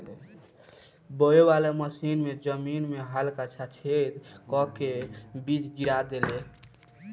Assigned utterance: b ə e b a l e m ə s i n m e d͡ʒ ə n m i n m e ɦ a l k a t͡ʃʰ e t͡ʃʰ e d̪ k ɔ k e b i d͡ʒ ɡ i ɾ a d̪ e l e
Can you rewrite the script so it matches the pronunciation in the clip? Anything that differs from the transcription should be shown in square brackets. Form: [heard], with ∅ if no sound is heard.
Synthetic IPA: b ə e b a l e m ə s i n m e d͡ʒ ə [∅] m i n m e ɦ a l k a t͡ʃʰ [a] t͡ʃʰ e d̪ k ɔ k e b i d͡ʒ ɡ i ɾ a d̪ e l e